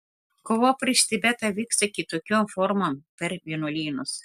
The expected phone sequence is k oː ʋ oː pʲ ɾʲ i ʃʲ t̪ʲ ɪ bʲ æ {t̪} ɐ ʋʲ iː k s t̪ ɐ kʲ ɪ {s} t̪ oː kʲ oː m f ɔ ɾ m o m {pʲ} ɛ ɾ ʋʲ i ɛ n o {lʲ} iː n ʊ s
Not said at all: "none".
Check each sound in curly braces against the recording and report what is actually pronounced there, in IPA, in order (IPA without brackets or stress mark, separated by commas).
t̪, none, pʲ, lʲ